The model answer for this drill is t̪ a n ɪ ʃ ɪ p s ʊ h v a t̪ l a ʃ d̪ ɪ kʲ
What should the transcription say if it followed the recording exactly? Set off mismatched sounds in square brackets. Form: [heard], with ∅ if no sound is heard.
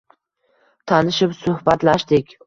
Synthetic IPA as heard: [t̪ʰ] a n ɪ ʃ ɪ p s ʊ h [b] a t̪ l a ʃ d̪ ɪ kʲ